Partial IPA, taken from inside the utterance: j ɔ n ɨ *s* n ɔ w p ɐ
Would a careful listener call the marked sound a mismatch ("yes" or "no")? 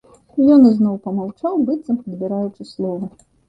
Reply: yes